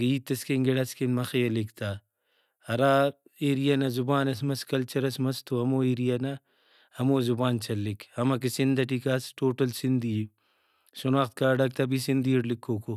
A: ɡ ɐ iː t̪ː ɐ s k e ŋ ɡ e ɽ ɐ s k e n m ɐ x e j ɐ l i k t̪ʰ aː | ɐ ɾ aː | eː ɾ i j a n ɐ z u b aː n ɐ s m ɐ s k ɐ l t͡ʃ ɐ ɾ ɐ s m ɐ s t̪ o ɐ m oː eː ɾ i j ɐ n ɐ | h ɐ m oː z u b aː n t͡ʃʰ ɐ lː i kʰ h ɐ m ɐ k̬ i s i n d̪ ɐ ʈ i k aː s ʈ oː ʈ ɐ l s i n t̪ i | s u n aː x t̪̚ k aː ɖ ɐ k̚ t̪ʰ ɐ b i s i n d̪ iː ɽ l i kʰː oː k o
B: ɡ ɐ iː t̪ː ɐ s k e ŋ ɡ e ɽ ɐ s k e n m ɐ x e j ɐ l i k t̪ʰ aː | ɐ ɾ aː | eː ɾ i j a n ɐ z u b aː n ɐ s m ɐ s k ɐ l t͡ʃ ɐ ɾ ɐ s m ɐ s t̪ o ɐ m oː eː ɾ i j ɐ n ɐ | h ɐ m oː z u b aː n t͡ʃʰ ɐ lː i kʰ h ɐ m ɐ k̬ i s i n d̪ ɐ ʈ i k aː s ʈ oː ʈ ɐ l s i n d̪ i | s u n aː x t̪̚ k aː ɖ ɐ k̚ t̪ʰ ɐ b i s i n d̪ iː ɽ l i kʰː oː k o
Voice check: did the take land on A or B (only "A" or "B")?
B